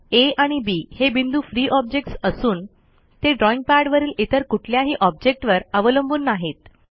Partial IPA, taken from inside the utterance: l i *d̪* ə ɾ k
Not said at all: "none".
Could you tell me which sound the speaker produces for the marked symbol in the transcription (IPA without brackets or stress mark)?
t̪